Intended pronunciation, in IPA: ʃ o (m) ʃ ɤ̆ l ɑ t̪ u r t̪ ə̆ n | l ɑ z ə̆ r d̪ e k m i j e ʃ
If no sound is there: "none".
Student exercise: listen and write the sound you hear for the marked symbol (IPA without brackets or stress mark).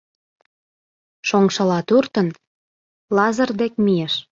ŋ